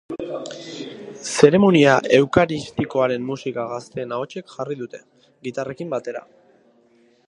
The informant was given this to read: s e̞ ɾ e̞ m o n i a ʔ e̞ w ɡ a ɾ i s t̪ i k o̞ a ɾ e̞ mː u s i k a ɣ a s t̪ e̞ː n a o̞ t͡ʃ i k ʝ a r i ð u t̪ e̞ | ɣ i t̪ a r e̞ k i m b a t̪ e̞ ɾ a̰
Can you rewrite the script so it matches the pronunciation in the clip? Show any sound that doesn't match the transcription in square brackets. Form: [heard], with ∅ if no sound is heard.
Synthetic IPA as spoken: s e̞ ɾ e̞ m o n i a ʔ e̞ w [k] a ɾ i s t̪ i k o̞ a ɾ e̞ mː u s i k a ɣ a s t̪ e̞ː n a o̞ t͡ʃ [e] k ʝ a r i ð u t̪ e̞ | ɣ i t̪ a r e̞ k i m b a t̪ e̞ ɾ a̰

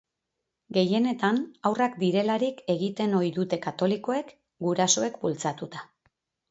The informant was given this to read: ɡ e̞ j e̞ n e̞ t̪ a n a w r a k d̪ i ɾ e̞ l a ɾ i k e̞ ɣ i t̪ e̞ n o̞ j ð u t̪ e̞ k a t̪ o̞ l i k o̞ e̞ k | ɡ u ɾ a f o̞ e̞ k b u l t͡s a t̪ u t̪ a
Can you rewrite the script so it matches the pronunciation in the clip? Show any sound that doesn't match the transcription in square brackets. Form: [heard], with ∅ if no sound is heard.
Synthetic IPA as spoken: ɡ e̞ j e̞ n e̞ t̪ a n a w r a k d̪ i ɾ e̞ l a ɾ i k e̞ ɣ i t̪ e̞ n o̞ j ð u t̪ e̞ k a t̪ o̞ l i k o̞ e̞ k | ɡ u ɾ a [s] o̞ e̞ k b u l t͡s a t̪ u t̪ a

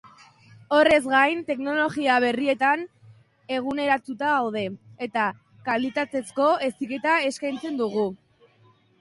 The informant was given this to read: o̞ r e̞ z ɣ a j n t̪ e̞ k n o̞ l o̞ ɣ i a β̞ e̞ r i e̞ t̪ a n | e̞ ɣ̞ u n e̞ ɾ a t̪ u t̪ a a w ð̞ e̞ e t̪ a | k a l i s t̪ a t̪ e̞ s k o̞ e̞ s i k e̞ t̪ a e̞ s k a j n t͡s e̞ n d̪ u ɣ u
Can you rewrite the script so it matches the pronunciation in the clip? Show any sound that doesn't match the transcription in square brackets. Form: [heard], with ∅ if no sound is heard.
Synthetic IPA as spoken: o̞ r e̞ z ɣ a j n t̪ e̞ k n o̞ l o̞ ɣ i a β̞ e̞ r i e̞ t̪ a n | e̞ ɣ̞ u n e̞ ɾ a t̪ u t̪ a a w ð̞ e̞ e t̪ a | k a l i [∅] t̪ a t̪ e̞ s k o̞ e̞ s i k e̞ t̪ a e̞ s k a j n t͡s e̞ n d̪ u ɣ u

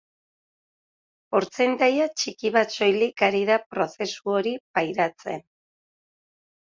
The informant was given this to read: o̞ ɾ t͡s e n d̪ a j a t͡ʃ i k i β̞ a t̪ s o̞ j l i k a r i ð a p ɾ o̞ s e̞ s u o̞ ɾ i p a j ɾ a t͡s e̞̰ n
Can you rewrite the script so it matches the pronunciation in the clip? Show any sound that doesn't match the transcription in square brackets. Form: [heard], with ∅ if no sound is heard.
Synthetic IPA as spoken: o̞ ɾ t͡s e n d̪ a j a t͡ʃ i k i β̞ a t̪ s o̞ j l i k a [ɾ] i ð a p ɾ o̞ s e̞ s u o̞ ɾ i p a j ɾ a t͡s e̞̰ n

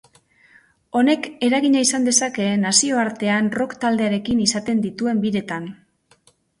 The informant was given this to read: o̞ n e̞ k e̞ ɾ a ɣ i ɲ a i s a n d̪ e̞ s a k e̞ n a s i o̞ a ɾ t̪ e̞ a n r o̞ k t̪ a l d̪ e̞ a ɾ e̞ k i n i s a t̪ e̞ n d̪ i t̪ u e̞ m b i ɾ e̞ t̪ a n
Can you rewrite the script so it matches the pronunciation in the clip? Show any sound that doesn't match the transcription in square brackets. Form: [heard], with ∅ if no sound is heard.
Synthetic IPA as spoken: o̞ n e̞ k e̞ ɾ a ɣ i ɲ a i s a n d̪ e̞ s a k e̞ n a s i o̞ a ɾ t̪ e̞ a n r o̞ k t̪ a l d̪ e̞ a ɾ e̞ k i n i s a t̪ e̞ n d̪ i t̪ u e̞ m b i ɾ e̞ t̪ a n

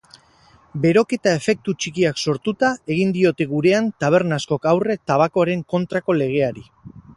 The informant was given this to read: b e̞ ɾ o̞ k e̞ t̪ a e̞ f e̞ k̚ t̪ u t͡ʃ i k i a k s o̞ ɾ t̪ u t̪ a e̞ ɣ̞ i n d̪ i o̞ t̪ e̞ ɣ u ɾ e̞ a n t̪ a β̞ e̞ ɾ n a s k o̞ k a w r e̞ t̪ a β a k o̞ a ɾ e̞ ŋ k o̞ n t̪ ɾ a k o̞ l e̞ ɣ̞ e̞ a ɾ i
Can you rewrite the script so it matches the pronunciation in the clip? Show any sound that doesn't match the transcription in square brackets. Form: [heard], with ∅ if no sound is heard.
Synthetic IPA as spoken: b e̞ ɾ o̞ k e̞ t̪ a e̞ f e̞ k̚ t̪ u t͡ʃ i k i a k s o̞ ɾ t̪ u t̪ a e̞ ɣ̞ i n d̪ i o̞ t̪ e̞ ɣ u ɾ e̞ a n t̪ a β̞ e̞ ɾ n a s k o̞ k a w r e̞ t̪ a β a k o̞ a ɾ e̞ ŋ k o̞ n t̪ ɾ a k o̞ l e̞ ɣ̞ e̞ a ɾ i

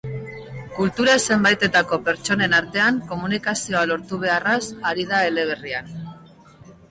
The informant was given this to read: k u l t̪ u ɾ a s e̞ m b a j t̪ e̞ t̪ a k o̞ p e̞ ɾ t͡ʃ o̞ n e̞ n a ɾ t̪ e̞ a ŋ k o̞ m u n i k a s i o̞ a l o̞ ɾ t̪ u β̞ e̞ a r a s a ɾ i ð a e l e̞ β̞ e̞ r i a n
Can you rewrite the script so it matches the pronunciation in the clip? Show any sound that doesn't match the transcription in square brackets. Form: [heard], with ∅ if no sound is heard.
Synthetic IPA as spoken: k u l t̪ u ɾ a s e̞ m b a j t̪ e̞ t̪ a k o̞ p e̞ ɾ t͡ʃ o̞ n e̞ n a ɾ t̪ e̞ a ŋ k o̞ m u n i k a s i o̞ a l o̞ ɾ t̪ u β̞ e̞ a r a s a ɾ i ð a e l e̞ β̞ e̞ r i a n

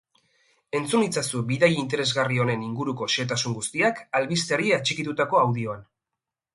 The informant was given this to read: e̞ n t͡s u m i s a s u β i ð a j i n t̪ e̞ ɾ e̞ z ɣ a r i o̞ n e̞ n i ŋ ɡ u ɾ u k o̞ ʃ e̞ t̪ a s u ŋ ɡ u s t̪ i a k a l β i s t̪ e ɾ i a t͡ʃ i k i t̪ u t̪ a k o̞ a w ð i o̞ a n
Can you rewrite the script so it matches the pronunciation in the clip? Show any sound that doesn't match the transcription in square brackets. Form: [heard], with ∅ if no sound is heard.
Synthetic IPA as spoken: e̞ n t͡s u [n] i [t͡s] a s u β i ð a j i n t̪ e̞ ɾ e̞ z ɣ a r i o̞ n e̞ n i ŋ ɡ u ɾ u k o̞ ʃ e̞ t̪ a s u ŋ ɡ u s t̪ i a k a l β i s t̪ e ɾ i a t͡ʃ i k i t̪ u t̪ a k o̞ a w ð i o̞ a n

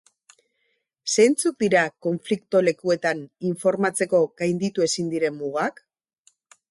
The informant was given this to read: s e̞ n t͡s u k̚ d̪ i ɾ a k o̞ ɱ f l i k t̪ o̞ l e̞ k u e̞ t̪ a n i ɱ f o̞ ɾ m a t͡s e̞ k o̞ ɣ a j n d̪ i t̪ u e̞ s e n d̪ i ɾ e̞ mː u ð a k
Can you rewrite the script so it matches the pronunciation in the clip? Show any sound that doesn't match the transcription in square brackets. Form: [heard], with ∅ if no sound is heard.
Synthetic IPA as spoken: s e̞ n t͡s u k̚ d̪ i ɾ a k o̞ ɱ f l i k t̪ o̞ l e̞ k u e̞ t̪ a n i ɱ f o̞ ɾ m a t͡s e̞ k o̞ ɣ a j n d̪ i t̪ u e̞ s [i] n d̪ i ɾ e̞ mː u [ɣ] a k

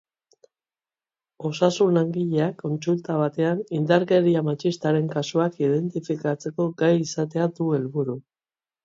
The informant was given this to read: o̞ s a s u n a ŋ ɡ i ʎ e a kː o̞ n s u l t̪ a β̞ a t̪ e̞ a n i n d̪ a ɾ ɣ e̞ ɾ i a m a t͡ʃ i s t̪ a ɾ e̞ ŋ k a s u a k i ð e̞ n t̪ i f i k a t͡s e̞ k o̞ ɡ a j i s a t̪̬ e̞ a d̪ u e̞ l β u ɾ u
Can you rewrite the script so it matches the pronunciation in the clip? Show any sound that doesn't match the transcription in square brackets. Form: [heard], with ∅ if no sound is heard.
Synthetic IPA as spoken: o̞ s a s u n a ŋ ɡ i ʎ e a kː o̞ n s u l t̪ a β̞ a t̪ e̞ a n i n d̪ a ɾ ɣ e̞ ɾ i a m a t͡ʃ i s t̪ a ɾ e̞ ŋ k a s u a k i ð e̞ n t̪ i f i k a t͡s e̞ k o̞ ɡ a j i s a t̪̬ e̞ a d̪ u e̞ l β u ɾ u

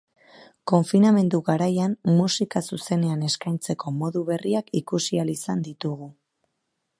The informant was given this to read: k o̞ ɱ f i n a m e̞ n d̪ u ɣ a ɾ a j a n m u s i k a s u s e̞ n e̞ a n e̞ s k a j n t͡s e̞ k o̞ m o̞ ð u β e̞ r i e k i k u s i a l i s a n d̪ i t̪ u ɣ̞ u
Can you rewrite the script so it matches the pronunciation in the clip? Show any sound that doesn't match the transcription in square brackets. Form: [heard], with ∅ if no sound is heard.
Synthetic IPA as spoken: k o̞ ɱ f i n a m e̞ n d̪ u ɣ a ɾ a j a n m u s i k a s u s e̞ n e̞ a n e̞ s k a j n t͡s e̞ k o̞ m o̞ ð u β e̞ r i [a] k i k u s i a l i s a n d̪ i t̪ u ɣ̞ u

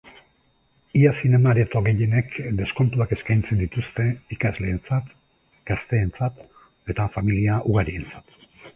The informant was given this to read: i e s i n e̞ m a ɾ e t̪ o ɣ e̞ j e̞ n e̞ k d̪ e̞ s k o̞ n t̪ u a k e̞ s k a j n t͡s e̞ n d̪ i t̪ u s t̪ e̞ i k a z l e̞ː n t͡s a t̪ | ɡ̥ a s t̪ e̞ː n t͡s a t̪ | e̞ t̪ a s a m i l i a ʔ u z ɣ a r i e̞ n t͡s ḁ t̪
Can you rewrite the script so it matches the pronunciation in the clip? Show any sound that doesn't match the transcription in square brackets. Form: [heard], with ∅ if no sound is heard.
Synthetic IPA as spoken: i [a] s i n e̞ m a ɾ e t̪ o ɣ e̞ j e̞ n e̞ k d̪ e̞ s k o̞ n t̪ u a k e̞ s k a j n t͡s e̞ n d̪ i t̪ u s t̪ e̞ i k a z l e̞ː n t͡s a t̪ | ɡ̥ a s t̪ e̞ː n t͡s a t̪ | e̞ t̪ a [f] a m i l i a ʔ u [∅] ɣ a [ɾ] i e̞ n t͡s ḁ t̪

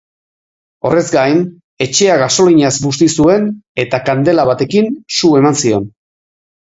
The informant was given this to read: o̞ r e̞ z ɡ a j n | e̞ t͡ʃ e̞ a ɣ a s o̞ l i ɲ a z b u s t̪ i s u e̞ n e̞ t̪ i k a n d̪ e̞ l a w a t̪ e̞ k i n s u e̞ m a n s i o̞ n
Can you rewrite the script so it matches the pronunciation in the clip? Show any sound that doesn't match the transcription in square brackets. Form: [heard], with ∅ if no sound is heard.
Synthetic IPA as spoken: o̞ r e̞ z ɡ a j n | e̞ t͡ʃ e̞ a ɣ a s o̞ l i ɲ a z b u s t̪ i s u e̞ n e̞ t̪ [a] k a n d̪ e̞ l a [β] a t̪ e̞ k i n s u e̞ m a n s i o̞ n

